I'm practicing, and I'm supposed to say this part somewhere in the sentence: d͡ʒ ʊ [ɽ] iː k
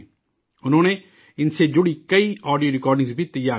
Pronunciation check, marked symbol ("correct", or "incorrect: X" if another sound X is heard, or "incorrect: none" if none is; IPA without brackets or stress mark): correct